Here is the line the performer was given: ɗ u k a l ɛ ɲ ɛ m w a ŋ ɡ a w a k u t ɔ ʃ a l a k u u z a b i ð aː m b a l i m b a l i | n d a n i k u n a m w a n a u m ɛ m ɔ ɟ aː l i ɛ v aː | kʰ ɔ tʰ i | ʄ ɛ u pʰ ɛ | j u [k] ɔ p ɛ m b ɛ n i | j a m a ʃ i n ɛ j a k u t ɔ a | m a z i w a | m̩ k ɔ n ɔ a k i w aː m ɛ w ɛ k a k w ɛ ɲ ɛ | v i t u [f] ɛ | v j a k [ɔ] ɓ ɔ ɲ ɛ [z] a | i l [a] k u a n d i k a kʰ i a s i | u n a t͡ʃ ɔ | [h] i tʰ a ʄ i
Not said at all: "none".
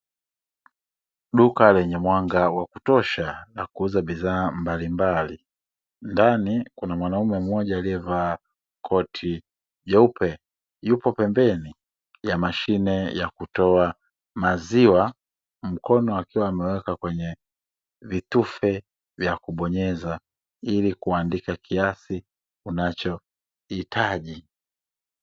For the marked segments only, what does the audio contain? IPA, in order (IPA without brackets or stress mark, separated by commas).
p, f, u, z, i, h